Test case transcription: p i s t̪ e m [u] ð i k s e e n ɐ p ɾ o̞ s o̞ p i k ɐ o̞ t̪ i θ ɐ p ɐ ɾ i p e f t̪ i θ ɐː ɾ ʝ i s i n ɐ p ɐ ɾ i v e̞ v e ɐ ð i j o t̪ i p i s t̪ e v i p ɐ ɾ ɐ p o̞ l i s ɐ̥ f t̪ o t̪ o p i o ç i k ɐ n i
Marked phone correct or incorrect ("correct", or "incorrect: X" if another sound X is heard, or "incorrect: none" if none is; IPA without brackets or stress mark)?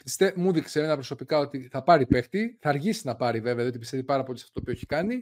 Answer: correct